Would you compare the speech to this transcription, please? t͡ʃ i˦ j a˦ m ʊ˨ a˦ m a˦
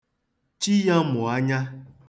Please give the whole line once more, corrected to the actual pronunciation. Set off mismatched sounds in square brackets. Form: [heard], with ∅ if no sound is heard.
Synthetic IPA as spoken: t͡ʃ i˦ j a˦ m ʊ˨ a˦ [ɲ] a˦